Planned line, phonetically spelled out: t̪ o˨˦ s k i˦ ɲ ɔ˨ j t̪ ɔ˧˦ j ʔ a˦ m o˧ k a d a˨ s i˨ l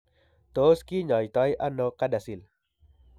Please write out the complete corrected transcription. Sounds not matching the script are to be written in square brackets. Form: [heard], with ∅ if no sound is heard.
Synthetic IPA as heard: t̪ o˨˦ s k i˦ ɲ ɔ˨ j t̪ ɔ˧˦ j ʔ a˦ [n] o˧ k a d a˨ s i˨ l